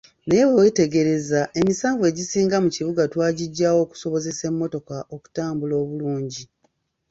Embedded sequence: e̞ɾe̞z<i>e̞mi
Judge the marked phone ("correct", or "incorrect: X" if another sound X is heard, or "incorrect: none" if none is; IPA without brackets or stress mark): incorrect: a